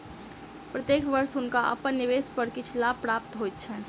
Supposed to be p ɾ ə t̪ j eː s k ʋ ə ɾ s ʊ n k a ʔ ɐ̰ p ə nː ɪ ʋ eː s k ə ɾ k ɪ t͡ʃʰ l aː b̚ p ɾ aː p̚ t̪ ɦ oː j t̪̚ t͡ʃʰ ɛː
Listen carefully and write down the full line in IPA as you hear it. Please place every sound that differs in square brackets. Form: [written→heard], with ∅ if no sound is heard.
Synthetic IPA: p ɾ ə t̪ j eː [s→∅] k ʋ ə ɾ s ʊ n k a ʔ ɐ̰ p ə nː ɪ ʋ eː s [k→p] ə ɾ k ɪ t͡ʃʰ l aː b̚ p ɾ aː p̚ t̪ ɦ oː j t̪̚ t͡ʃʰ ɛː